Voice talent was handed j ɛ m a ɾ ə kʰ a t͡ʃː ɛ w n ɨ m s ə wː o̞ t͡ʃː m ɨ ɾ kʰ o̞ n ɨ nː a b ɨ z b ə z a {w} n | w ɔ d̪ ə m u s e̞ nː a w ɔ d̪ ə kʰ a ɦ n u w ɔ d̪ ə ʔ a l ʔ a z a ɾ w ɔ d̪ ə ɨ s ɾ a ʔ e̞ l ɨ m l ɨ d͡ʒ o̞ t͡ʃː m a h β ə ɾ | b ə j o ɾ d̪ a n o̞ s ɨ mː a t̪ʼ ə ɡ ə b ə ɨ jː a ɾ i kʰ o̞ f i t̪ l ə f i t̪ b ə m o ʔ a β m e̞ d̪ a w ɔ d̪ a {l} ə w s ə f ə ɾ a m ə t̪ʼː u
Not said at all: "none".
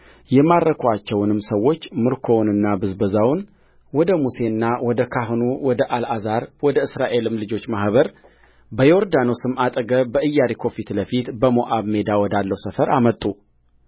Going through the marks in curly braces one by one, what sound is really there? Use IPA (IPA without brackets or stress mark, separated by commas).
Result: w, lː